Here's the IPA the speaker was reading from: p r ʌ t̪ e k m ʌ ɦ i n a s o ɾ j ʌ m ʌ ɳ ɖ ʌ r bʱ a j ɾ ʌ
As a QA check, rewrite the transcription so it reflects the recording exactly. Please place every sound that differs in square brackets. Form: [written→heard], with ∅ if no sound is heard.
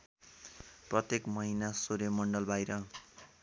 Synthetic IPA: p r ʌ t̪ e k m ʌ ɦ i n a s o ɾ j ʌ m ʌ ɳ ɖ ʌ [r→l] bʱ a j ɾ ʌ